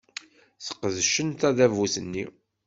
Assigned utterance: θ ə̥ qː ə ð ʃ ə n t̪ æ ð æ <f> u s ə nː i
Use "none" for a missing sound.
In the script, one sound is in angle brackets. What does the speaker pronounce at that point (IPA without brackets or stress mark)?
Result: v